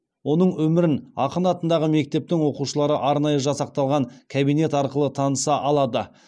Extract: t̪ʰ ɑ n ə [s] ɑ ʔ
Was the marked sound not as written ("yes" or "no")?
no